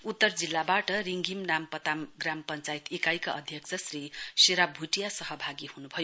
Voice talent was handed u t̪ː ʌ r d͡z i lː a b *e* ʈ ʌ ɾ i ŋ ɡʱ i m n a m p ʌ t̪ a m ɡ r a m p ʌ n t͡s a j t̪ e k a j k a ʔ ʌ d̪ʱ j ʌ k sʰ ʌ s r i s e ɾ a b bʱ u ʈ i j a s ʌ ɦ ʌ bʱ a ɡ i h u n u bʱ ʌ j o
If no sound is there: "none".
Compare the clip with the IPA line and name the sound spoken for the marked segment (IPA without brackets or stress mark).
a